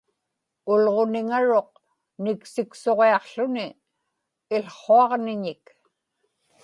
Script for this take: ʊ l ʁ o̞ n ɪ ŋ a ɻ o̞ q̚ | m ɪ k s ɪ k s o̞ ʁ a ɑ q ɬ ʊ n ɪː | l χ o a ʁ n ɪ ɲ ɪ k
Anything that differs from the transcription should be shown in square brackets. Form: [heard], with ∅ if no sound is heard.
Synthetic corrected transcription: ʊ l ʁ o̞ n ɪ ŋ a ɻ o̞ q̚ | [n] ɪ k s ɪ k s o̞ ʁ [e] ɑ q ɬ ʊ n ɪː | l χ o [ɑ] ʁ n ɪ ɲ ɪ k

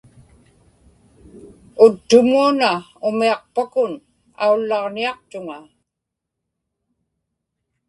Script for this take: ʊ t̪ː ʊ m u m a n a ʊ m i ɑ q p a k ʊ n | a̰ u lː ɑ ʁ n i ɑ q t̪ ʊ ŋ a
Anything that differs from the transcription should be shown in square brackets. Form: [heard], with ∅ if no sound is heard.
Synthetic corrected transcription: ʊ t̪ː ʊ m u [∅] a n a ʊ m i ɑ q p a k ʊ n | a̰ u lː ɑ ʁ n i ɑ q t̪ ʊ ŋ a

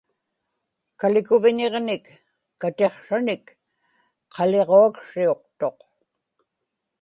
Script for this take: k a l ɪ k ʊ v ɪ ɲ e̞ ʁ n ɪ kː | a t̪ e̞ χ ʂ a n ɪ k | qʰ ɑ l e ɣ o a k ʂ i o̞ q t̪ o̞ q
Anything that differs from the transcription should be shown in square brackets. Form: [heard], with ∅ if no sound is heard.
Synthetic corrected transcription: k a l ɪ k ʊ v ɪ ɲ e̞ ʁ n ɪ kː | a t̪ e̞ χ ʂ a n ɪ k | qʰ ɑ l e [ʁ] o a k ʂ i o̞ q t̪ o̞ q

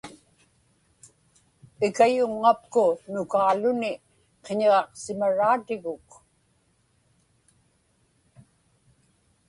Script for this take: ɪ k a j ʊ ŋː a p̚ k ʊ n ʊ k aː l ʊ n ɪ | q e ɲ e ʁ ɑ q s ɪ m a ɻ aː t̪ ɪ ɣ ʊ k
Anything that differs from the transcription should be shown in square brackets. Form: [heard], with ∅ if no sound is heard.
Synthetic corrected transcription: ɪ k a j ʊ ŋː a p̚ k ʊ n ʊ k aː l ʊ n ɪ | q e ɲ e ʁ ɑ q s ɪ m a ɻ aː t̪ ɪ ɣ ʊ k

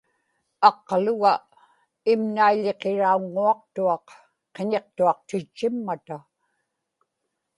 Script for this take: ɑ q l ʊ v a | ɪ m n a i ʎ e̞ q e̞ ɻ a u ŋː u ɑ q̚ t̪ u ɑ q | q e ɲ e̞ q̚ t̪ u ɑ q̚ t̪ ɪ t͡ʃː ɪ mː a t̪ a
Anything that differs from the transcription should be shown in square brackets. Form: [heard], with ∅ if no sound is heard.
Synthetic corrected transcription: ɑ q l ʊ [ɣ] a | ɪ m n a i ʎ e̞ q e̞ ɻ a u ŋː u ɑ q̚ t̪ u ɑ q | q e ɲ e̞ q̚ t̪ u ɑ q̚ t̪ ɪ t͡ʃː ɪ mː a t̪ a

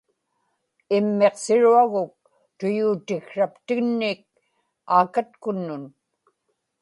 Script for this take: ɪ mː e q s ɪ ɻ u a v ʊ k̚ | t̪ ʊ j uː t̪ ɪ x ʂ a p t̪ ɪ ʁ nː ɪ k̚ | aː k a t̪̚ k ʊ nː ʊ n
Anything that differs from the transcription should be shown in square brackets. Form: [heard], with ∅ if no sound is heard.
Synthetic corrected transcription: ɪ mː e q s ɪ ɻ u a [ɣ] ʊ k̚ | t̪ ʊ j uː t̪ ɪ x ʂ a p t̪ ɪ [ɣ] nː ɪ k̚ | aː k a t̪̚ k ʊ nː ʊ n

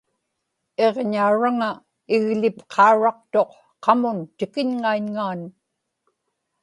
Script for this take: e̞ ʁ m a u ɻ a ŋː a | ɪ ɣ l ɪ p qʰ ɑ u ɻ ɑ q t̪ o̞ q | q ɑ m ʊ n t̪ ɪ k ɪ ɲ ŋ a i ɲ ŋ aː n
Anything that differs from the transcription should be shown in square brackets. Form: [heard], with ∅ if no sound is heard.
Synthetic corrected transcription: e̞ ʁ [ɲ] a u ɻ a [ŋ] a | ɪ ɣ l ɪ p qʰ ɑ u ɻ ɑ q t̪ o̞ q | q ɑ m ʊ n t̪ ɪ k ɪ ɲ ŋ a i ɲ ŋ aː n

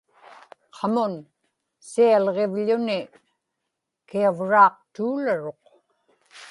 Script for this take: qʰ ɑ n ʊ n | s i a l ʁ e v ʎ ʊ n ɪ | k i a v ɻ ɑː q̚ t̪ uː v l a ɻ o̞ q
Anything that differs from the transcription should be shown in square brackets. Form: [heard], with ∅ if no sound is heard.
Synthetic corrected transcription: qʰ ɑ [m] ʊ n | s i a l ʁ e v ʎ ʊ n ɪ | k i a v ɻ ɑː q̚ t̪ uː [∅] l a ɻ o̞ q

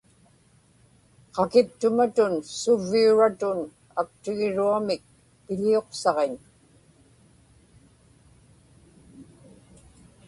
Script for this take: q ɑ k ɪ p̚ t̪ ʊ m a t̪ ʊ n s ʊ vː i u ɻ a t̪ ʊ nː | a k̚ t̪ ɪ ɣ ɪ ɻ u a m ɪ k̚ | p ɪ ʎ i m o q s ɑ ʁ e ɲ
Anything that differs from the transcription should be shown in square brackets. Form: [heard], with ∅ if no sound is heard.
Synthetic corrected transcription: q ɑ k ɪ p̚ t̪ ʊ m a t̪ ʊ n s ʊ vː i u ɻ a t̪ ʊ [n] | a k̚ t̪ ɪ ɣ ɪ ɻ u a m ɪ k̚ | p ɪ ʎ i [∅] o q s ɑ ʁ e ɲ

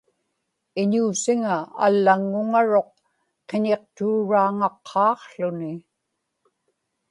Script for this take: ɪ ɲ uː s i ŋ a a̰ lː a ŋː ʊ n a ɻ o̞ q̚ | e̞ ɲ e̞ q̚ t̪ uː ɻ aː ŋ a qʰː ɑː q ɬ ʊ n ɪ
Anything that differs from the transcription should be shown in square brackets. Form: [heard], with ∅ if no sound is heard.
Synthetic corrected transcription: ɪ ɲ uː s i ŋ a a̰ lː a ŋː ʊ [ŋ] a ɻ o̞ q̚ | e̞ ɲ e̞ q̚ t̪ uː ɻ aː ŋ [ɑ] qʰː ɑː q ɬ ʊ n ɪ

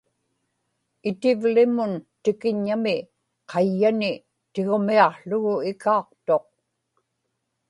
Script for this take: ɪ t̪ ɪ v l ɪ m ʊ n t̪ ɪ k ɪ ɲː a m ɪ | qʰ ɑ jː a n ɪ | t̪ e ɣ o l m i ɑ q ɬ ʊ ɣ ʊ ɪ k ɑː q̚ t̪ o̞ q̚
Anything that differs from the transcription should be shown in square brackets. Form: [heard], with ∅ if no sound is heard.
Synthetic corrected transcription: ɪ t̪ ɪ v l ɪ m ʊ n t̪ ɪ k ɪ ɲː a m ɪ | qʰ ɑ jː a n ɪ | t̪ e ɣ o [∅] m i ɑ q ɬ ʊ ɣ ʊ ɪ k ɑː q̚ t̪ o̞ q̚

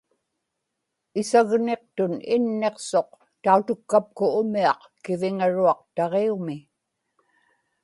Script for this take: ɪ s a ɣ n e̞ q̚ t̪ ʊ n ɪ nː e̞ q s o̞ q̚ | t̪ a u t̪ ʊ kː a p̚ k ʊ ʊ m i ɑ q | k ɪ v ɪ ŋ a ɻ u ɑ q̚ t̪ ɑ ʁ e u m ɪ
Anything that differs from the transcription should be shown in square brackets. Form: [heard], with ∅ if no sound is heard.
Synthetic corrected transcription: ɪ s a ɣ n e̞ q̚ t̪ ʊ n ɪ nː e̞ q s o̞ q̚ | t̪ a u t̪ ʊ kː a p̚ k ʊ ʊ m i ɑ q | k ɪ v ɪ ŋ a ɻ u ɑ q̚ t̪ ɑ ʁ e u m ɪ

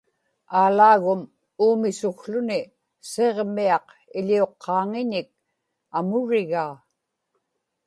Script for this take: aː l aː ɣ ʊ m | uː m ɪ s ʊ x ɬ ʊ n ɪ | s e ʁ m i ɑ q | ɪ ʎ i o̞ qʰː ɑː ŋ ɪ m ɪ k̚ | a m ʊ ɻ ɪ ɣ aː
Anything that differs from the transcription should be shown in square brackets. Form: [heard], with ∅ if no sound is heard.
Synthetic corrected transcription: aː l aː ɣ ʊ m | uː m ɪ s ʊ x ɬ ʊ n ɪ | s e ʁ m i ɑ q | ɪ ʎ i o̞ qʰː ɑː ŋ ɪ [ɲ] ɪ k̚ | a m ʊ ɻ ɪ ɣ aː

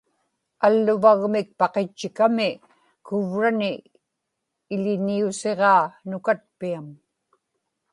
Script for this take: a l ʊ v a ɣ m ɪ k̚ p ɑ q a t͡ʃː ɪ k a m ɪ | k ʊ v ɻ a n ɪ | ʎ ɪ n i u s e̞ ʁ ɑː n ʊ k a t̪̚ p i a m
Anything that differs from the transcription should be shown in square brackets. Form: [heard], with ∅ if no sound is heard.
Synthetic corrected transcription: a [lː] ʊ v a ɣ m ɪ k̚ p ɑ q [e] t͡ʃː ɪ k a m ɪ | k ʊ v ɻ a n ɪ | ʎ ɪ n i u s e̞ ʁ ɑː n ʊ k a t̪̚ p i a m

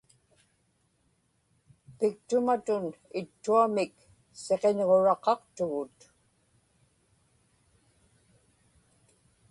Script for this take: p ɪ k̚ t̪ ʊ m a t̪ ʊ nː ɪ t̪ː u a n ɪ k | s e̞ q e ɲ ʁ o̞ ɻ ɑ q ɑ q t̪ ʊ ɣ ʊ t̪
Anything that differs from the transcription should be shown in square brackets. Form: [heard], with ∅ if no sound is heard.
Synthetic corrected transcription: p ɪ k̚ t̪ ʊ m a t̪ ʊ [n] ɪ t̪ː u a [m] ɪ k | s e̞ q e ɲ ʁ o̞ ɻ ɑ q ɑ q t̪ ʊ ɣ ʊ t̪

